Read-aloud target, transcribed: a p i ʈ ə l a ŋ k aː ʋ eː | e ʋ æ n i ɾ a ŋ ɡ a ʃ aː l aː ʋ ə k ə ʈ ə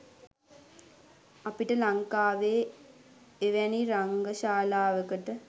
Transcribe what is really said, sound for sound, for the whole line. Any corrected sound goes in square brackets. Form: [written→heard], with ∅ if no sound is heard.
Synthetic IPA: a p i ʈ ə l a ŋ k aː ʋ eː | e ʋ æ n i ɾ a ŋ ɡ [a→ə] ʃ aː l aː ʋ ə k ə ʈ ə